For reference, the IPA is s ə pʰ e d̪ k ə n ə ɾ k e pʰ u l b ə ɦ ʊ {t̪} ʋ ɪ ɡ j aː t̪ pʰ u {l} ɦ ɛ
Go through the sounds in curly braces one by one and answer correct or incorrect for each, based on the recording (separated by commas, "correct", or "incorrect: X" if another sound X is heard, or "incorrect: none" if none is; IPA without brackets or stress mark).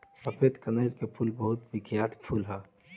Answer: correct, correct